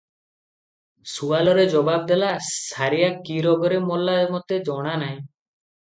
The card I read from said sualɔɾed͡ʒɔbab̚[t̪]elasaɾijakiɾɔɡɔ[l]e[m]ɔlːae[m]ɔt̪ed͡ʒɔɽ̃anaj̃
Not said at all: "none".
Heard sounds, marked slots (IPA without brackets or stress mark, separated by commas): d̪, ɾ, m, m